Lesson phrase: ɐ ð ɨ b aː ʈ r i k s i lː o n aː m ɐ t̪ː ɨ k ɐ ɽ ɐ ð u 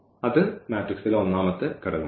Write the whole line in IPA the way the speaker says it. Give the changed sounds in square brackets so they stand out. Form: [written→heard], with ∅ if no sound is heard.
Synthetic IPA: ɐ ð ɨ [b→m] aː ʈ r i k s i [lː→l] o [n→nː] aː m ɐ t̪ː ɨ k ɐ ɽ ɐ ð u